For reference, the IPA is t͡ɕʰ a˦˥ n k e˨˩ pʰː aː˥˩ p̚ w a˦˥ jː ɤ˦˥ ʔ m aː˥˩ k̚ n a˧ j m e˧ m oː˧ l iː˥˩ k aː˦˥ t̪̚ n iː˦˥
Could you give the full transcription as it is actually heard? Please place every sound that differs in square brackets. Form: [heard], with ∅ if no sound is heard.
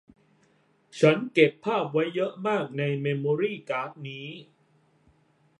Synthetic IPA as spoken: t͡ɕʰ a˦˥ n k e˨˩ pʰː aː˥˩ p̚ w a˦˥ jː ɤ˦˥ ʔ m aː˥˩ k̚ n a˧ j m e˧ m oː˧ [ɾ] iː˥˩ k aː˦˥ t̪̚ n iː˦˥